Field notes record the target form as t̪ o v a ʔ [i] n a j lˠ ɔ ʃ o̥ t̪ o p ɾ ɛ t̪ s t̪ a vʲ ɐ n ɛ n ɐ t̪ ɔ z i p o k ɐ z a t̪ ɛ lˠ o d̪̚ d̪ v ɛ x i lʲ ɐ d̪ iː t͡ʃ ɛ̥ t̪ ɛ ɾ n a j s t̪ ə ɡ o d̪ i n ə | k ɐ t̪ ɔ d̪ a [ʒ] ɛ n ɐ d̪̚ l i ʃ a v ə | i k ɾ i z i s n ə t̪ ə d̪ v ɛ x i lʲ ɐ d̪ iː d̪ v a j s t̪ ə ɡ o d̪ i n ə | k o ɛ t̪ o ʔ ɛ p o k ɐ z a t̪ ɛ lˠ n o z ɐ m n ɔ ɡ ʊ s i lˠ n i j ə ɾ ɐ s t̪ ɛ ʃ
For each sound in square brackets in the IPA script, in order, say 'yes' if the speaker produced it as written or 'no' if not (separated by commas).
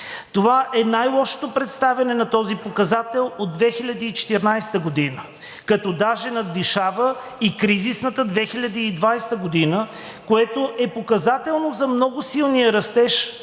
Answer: no, yes